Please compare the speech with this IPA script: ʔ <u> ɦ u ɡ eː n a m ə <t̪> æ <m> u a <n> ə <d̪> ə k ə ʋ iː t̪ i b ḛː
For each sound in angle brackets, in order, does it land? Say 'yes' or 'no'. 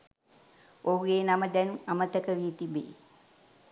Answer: no, no, no, no, no

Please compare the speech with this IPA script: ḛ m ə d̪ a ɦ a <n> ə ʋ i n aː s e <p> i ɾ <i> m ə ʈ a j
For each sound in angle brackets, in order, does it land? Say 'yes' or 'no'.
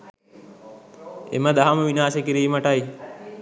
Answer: no, no, no

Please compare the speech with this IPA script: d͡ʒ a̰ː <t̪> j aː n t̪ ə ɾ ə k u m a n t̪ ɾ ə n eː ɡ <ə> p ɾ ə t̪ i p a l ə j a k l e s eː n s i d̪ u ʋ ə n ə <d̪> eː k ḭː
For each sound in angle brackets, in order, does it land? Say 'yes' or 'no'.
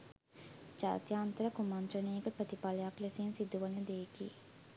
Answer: yes, yes, yes

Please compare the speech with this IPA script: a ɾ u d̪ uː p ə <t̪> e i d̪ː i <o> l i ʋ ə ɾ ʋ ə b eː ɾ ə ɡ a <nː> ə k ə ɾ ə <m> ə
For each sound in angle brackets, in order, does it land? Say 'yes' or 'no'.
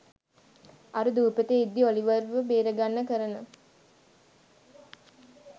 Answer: yes, yes, yes, no

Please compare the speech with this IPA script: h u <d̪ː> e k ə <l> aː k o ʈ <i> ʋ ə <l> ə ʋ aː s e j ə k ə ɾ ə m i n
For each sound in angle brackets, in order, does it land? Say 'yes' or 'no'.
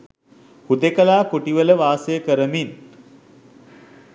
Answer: no, yes, yes, yes

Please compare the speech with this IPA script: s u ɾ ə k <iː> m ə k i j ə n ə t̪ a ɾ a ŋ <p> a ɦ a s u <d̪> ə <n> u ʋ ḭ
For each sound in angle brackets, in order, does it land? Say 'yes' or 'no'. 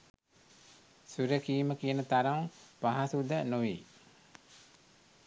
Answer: yes, yes, yes, yes

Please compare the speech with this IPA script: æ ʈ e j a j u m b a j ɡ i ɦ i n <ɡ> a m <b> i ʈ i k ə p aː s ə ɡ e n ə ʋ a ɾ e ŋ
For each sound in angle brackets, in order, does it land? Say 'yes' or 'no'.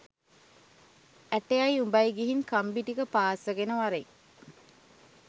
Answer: no, yes

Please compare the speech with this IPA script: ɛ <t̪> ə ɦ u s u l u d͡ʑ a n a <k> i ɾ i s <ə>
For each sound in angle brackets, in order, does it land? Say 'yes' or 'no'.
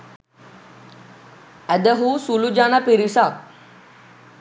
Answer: no, no, no

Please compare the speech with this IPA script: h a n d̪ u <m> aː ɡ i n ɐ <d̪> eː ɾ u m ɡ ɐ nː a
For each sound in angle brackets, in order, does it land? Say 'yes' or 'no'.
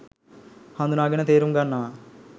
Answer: no, no

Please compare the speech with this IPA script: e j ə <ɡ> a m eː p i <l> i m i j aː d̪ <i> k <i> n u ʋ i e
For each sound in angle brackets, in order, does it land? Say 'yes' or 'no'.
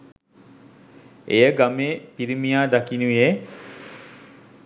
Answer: yes, no, no, yes

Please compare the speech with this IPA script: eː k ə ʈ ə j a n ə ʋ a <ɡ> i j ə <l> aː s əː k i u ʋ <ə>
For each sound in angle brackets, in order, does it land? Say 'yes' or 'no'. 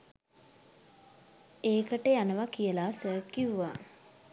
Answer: no, yes, no

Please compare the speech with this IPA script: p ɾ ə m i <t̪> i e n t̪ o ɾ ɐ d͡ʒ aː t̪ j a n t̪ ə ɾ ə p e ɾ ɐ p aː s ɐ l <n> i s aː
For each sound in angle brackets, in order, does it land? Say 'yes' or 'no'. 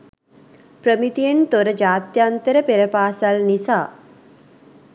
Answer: yes, yes

